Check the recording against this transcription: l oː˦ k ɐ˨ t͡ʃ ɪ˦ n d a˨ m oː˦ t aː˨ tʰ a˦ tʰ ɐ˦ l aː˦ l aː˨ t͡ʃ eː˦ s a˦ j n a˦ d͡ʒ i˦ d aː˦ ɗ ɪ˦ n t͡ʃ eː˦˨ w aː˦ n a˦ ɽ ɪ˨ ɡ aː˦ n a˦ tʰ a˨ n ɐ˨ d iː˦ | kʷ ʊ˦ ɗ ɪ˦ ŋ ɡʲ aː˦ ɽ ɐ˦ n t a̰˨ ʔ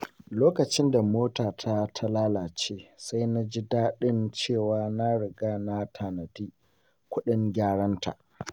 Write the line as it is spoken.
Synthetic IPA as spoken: l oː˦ k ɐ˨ t͡ʃ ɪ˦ n d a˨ m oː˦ t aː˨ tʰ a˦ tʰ a˦ l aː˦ l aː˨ t͡ʃ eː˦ s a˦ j n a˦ d͡ʒ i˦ d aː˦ ɗ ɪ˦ n t͡ʃ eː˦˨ w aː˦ n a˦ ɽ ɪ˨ ɡ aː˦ n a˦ tʰ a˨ n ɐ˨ d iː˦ | kʷ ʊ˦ ɗ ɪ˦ ŋ ɡʲ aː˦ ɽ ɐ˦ n t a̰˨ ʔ